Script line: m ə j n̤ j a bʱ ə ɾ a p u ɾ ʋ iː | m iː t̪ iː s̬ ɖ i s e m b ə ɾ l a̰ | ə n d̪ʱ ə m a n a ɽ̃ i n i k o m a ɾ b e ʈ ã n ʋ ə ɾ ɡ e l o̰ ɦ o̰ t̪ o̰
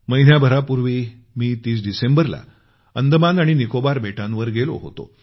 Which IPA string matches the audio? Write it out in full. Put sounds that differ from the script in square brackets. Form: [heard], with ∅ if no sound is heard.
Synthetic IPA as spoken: m ə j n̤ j a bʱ ə ɾ a p u ɾ ʋ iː | m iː t̪ iː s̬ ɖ i s e m b ə ɾ l a̰ | ə n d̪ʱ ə m a n a ɽ̃ i n i k o [b] a ɾ b e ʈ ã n ʋ ə ɾ ɡ e l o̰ ɦ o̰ t̪ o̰

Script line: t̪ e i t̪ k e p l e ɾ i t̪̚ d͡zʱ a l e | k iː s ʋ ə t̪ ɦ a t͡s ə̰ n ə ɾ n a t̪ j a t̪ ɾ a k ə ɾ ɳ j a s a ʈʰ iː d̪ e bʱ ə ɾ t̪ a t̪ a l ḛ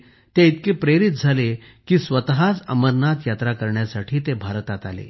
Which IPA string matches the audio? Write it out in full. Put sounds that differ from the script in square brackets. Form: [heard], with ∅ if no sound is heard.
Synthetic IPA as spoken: t̪ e i t̪ k e p [ɾ] e ɾ i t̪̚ d͡zʱ a l e | k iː s ʋ ə t̪ ɦ a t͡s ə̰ [m] ə ɾ n a t̪ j a t̪ ɾ a k ə ɾ ɳ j a s a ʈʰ iː [t̪] e bʱ [a] ɾ t̪ a t̪ a l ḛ

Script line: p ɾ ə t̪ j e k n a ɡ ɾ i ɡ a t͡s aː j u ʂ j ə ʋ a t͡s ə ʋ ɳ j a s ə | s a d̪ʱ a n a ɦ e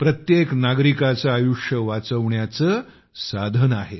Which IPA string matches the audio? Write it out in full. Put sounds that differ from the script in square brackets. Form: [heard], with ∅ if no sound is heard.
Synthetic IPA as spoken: p ɾ ə t̪ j e k n a ɡ ɾ i [k] a t͡s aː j u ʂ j ə ʋ a t͡s ə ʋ ɳ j a [t͡s] ə | s a d̪ʱ [ə] n a ɦ e

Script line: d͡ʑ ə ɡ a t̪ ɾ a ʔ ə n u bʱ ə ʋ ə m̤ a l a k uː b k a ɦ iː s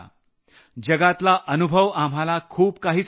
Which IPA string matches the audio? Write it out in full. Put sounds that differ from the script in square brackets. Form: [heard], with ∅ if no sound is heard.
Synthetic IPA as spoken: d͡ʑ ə ɡ a t̪ [l] a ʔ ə n u bʱ ə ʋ [a] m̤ a l a [kʰ] uː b k a ɦ iː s

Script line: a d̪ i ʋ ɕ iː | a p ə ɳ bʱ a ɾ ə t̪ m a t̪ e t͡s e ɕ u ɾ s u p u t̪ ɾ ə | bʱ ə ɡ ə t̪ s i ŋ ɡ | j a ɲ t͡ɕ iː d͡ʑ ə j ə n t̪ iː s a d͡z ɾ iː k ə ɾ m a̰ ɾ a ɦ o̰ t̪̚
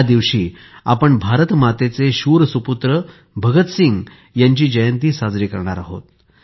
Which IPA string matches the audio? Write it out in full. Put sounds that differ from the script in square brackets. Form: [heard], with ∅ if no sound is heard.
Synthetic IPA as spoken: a d̪ i ʋ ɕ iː | a p ə ɳ bʱ a ɾ ə t̪ m a t̪ e t͡s e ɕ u ɾ s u p u t̪ ɾ ə | bʱ ə ɡ ə t̪ s i ŋ ɡ | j a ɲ t͡ɕ iː d͡ʑ ə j ə n t̪ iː s a d͡z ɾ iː k ə ɾ [ɳ] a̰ ɾ a ɦ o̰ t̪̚

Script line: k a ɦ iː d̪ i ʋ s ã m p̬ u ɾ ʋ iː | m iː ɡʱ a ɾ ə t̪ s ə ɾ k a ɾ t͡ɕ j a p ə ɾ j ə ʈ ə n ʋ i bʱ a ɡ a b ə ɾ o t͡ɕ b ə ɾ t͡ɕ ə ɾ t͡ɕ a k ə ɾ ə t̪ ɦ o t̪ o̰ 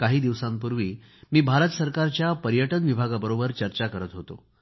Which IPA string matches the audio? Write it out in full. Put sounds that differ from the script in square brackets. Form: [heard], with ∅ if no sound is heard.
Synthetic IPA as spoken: k a ɦ iː d̪ i ʋ s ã m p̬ u ɾ ʋ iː | m iː [bʱ] a ɾ ə t̪ s ə ɾ k a ɾ t͡ɕ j a p ə ɾ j ə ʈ ə n ʋ i bʱ a ɡ a b ə ɾ o [∅] b ə ɾ t͡ɕ ə ɾ t͡ɕ a k ə ɾ ə t̪ ɦ o t̪ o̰

